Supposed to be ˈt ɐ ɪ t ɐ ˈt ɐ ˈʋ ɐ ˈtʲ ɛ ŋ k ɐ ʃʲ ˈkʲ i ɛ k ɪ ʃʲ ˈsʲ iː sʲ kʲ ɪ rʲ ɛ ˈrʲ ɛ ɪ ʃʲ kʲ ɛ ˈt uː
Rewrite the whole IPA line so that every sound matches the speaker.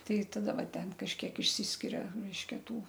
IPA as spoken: ˈt ɐ ɪ t ɐ ˈd ɐ ˈʋ ɐ ˈtʲ ɛ n k ɐ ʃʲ ˈkʲ i ɛ k ɪ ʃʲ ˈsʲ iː sʲ kʲ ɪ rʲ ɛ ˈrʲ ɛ ɪ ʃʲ kʲ ɛ ˈt uː